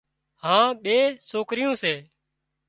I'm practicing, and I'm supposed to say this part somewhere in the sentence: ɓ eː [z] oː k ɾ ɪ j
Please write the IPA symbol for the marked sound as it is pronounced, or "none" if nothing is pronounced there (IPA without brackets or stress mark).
s